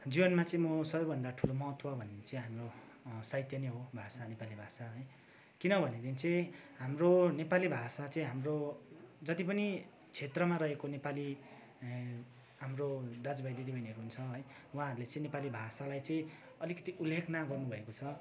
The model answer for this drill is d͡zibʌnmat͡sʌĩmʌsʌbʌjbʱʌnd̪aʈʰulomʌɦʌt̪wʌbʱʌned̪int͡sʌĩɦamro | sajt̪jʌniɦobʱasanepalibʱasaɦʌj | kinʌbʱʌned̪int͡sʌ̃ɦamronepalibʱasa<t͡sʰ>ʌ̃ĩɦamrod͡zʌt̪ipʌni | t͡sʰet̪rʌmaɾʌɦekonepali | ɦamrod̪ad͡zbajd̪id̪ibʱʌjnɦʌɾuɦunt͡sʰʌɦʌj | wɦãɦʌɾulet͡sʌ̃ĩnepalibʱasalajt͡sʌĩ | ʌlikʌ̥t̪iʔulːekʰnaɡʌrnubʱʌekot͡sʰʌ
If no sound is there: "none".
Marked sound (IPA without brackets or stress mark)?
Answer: t͡s